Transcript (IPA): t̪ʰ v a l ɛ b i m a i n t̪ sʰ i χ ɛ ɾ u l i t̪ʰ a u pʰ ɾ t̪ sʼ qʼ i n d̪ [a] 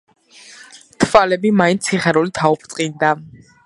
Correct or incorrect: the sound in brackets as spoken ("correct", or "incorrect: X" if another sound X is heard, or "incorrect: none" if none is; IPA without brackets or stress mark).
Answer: correct